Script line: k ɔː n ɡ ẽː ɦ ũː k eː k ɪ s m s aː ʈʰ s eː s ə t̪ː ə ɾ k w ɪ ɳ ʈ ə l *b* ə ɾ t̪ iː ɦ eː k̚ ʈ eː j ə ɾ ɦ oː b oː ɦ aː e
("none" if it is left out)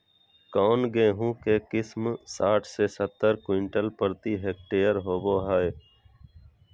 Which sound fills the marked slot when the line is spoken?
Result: p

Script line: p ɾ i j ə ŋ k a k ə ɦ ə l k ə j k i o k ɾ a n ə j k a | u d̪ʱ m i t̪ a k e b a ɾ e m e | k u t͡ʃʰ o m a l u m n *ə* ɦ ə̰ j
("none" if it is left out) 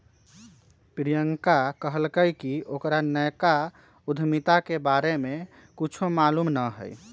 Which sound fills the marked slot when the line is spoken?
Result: ə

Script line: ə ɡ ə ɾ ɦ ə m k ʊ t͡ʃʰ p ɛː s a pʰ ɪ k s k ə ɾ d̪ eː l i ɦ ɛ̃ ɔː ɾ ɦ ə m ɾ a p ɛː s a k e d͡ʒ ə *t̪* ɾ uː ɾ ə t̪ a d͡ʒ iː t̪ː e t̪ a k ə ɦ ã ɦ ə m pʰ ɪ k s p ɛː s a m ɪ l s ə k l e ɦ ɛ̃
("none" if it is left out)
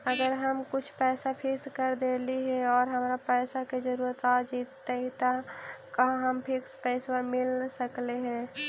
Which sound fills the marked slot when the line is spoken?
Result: none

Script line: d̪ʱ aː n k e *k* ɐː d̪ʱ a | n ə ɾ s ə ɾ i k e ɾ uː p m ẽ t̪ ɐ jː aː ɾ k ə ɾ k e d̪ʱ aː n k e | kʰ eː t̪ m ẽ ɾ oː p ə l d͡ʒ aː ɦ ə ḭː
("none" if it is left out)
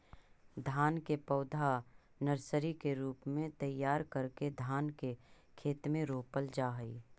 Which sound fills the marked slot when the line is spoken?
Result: p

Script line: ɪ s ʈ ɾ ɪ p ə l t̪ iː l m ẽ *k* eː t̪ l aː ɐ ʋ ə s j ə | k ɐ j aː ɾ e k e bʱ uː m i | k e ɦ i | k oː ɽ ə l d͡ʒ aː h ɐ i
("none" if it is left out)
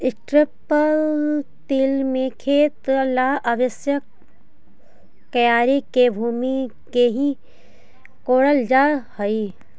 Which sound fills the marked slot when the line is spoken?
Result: kʰ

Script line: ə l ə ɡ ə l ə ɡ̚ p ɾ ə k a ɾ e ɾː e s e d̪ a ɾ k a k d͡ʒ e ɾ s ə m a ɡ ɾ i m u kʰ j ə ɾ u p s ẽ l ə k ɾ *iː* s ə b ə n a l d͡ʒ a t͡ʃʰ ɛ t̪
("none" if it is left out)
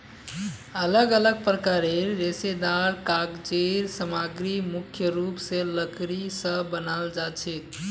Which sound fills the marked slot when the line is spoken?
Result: i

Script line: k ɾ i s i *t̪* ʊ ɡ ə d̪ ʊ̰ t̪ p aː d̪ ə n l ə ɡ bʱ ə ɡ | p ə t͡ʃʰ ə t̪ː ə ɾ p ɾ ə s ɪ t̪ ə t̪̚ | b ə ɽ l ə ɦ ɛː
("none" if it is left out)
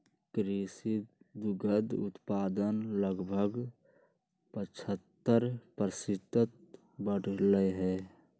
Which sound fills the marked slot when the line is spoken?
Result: d̪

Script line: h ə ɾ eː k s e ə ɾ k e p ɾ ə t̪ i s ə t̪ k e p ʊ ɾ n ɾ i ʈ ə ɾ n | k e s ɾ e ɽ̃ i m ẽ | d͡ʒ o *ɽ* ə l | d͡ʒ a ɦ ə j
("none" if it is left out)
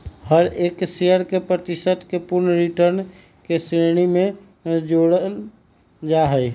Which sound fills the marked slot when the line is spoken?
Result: ɽ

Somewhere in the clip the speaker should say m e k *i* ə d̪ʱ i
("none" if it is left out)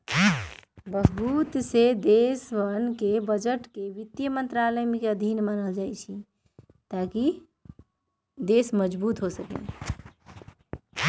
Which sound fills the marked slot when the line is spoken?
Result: e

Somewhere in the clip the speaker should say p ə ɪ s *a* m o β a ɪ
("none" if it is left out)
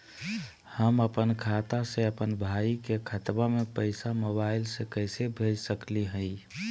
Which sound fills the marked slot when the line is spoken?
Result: a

